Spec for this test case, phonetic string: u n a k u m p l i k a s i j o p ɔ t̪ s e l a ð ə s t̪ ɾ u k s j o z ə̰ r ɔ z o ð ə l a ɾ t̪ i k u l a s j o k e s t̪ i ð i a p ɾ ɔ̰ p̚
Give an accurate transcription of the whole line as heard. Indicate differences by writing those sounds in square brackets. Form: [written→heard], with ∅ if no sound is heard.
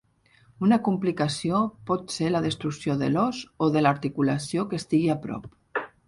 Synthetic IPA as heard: u n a k u m p l i k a s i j o p ɔ t̪ s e l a ð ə s t̪ ɾ u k s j o [z→ð] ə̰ [r→l] ɔ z o ð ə l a ɾ t̪ i k u l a s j o k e s t̪ i [ð→ɣ] i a p ɾ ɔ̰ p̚